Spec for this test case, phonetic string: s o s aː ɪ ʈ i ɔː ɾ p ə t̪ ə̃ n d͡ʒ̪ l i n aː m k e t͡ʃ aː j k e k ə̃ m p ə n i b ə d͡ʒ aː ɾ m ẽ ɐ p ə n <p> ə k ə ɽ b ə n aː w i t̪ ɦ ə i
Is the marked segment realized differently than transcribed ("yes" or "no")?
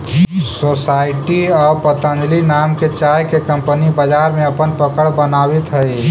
no